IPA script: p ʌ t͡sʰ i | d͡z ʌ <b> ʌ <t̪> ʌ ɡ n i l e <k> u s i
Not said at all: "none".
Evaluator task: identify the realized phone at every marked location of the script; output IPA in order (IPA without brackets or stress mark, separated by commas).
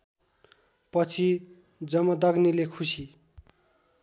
m, d̪, kʰ